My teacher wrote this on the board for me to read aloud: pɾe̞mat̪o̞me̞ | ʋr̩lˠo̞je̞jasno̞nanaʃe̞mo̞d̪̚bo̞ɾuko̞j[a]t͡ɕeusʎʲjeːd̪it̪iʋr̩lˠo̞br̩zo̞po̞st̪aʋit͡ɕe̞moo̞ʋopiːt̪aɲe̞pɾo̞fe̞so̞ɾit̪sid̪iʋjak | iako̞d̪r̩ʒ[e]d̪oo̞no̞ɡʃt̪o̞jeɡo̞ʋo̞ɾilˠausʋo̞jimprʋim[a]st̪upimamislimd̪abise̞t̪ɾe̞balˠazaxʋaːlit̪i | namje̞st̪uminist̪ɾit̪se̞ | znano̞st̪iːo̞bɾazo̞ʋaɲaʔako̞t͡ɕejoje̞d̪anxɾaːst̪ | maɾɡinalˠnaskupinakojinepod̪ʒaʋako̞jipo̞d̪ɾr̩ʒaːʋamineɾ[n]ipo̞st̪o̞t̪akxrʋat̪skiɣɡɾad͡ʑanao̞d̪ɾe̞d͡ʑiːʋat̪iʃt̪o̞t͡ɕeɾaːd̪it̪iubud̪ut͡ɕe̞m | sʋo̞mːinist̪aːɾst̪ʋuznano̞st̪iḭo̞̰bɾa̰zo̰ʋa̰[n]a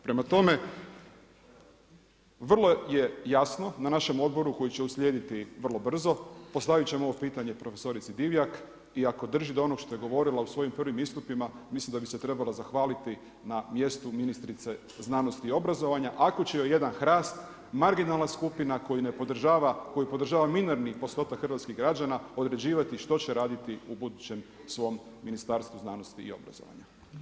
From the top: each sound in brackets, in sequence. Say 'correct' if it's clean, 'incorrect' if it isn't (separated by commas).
incorrect, incorrect, incorrect, correct, incorrect